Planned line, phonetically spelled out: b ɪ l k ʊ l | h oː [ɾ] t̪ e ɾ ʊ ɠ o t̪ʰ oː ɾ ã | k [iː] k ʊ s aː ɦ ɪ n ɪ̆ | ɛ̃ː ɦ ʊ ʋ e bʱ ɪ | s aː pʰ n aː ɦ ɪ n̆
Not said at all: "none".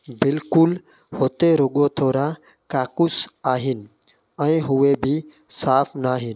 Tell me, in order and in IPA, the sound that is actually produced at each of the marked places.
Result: none, aː

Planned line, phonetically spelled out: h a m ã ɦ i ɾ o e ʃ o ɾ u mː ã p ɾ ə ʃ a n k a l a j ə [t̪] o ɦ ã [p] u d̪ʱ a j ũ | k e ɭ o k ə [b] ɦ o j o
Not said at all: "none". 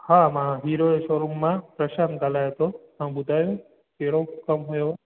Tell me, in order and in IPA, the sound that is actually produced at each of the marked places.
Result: t̪, b, m

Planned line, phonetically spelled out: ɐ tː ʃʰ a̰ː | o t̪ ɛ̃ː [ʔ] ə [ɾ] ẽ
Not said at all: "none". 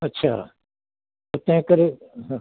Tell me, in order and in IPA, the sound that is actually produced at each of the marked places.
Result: k, ɾ

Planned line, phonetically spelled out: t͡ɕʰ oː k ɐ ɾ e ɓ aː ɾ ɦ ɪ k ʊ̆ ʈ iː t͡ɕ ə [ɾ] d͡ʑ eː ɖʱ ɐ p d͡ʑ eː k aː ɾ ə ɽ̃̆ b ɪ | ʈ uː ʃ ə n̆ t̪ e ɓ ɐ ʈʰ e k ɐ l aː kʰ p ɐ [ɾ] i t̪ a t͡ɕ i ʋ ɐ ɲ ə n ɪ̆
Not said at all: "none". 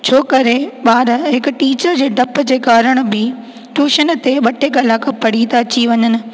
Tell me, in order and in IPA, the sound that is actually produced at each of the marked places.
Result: ɾ, ɽ

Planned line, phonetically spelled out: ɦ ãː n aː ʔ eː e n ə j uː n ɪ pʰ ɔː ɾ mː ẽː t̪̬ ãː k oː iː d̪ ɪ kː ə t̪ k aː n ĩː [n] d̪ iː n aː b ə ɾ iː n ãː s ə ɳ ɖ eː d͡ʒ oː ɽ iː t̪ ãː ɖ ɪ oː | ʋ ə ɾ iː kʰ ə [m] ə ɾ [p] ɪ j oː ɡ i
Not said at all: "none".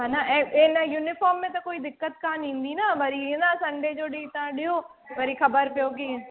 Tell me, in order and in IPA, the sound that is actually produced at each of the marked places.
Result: n, b, p

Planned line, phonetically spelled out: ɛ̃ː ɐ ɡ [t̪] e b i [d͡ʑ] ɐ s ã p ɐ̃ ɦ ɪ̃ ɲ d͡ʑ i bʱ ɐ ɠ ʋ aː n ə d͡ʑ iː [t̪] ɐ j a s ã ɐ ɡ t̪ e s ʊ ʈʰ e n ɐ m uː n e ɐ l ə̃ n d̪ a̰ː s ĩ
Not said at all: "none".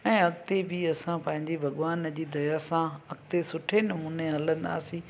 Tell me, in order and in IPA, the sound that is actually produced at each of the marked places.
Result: t̪, none, d̪

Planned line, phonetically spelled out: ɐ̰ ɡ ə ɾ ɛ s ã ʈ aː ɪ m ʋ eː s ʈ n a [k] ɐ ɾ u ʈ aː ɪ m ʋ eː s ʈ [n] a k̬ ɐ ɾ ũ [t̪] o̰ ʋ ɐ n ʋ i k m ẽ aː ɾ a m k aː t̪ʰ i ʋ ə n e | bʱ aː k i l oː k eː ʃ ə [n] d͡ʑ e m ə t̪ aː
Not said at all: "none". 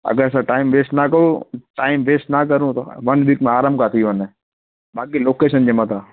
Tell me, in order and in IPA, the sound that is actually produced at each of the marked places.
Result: k, n, t̪, n

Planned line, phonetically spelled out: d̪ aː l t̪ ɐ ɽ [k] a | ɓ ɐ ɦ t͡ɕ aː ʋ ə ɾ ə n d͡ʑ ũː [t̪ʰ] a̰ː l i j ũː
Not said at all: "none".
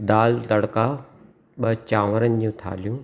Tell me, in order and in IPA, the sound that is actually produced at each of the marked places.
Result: k, t̪ʰ

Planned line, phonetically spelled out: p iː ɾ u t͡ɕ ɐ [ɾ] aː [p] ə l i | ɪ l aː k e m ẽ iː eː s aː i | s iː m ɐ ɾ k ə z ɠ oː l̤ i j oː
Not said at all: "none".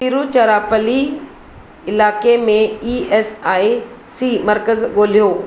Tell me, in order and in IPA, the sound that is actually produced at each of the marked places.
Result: ɾ, p

